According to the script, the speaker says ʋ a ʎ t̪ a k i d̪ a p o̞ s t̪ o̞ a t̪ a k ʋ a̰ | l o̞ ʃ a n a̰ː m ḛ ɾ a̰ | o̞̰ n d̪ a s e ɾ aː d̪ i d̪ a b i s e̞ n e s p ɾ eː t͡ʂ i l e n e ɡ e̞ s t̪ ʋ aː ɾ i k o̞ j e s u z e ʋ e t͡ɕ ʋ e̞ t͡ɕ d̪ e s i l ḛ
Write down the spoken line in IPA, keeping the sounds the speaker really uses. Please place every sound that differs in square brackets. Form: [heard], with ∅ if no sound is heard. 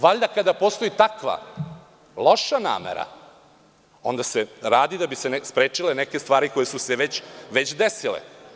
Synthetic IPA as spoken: ʋ a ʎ [d̪] a k [a] d̪ a p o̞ s t̪ o̞ [i] t̪ a k ʋ a̰ | l o̞ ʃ a n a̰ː m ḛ ɾ a̰ | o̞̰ n d̪ a s e ɾ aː d̪ i d̪ a b i s e̞ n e s p ɾ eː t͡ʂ i l e n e [k] e̞ s t̪ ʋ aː ɾ i k o̞ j e s u [s] e ʋ e t͡ɕ ʋ e̞ t͡ɕ d̪ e s i l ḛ